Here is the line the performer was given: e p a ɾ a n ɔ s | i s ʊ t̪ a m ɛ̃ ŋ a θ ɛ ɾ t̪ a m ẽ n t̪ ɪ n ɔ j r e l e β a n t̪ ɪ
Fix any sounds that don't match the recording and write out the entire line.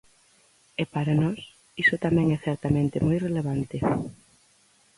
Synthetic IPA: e p a ɾ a n ɔ s | i s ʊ t̪ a m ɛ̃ ŋ ɛ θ ɛ ɾ t̪ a m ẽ n t̪ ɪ m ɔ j r e l e β a n t̪ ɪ